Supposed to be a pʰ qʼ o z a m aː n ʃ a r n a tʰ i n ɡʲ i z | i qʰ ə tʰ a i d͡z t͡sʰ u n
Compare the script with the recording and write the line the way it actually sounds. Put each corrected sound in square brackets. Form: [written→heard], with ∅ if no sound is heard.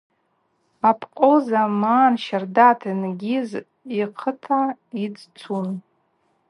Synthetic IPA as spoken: a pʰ qʼ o z a m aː n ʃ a r [n→d] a tʰ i n ɡʲ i z | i qʰ ə tʰ a i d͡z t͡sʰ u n